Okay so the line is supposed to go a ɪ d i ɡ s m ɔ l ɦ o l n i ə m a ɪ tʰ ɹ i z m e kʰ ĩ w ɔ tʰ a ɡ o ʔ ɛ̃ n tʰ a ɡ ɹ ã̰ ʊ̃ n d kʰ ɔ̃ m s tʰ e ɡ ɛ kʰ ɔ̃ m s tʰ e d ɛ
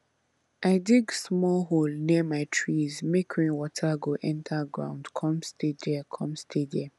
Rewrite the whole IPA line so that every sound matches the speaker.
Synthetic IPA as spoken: a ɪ d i ɡ s m ɔ l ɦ o l n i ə m a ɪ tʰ ɹ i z m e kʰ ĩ w ɔ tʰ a ɡ o ʔ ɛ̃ n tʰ a ɡ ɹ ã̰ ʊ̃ n d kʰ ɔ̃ m s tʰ e d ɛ kʰ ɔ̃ m s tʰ e d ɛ